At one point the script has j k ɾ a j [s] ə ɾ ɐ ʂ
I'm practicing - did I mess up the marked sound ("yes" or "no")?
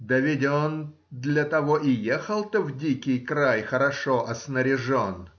yes